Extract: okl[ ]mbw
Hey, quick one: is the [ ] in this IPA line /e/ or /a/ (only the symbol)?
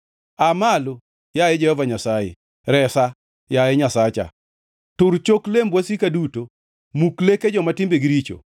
e